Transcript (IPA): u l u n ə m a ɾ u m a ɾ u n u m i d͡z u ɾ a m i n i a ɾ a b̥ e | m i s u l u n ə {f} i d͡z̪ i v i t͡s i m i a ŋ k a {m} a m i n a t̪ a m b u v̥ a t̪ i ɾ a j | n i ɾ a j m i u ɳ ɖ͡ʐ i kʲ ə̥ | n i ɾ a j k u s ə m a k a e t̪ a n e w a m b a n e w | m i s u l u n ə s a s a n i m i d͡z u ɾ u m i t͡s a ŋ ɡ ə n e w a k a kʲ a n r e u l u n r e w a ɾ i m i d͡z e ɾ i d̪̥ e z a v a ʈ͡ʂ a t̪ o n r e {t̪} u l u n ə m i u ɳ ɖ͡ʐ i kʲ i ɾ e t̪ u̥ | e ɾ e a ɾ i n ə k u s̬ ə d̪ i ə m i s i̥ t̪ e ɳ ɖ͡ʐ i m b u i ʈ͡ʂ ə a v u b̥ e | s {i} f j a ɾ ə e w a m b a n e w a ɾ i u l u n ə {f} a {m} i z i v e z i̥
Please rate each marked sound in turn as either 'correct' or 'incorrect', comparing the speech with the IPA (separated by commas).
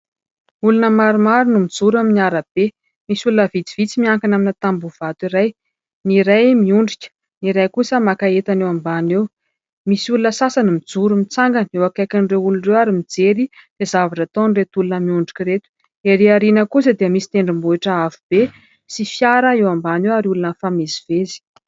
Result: incorrect, incorrect, correct, correct, correct, correct